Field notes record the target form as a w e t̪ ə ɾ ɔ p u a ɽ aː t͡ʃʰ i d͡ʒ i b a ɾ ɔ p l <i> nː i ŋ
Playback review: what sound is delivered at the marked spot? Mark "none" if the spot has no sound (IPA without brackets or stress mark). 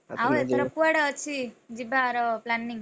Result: a